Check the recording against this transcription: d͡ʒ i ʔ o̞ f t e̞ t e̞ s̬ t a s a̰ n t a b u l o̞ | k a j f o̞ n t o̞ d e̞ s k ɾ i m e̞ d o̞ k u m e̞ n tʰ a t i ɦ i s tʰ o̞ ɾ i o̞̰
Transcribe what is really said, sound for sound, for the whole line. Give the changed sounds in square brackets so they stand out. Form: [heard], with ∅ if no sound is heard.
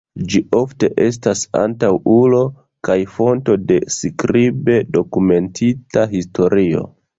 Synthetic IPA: d͡ʒ i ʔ o̞ f t e̞ [ʔ] e̞ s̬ t a s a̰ n t a [w] u l o̞ | k a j f o̞ n t o̞ d e̞ s k ɾ i [b] e̞ d o̞ k u m e̞ n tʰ [i] t [a] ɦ i s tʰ o̞ ɾ i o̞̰